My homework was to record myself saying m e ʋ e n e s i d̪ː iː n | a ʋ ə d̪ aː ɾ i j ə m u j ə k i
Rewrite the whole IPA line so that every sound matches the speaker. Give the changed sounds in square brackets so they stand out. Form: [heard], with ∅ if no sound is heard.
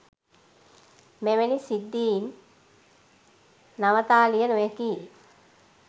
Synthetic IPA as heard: m e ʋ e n [i] s i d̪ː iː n | a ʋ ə [t̪] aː [l] i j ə [n] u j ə k i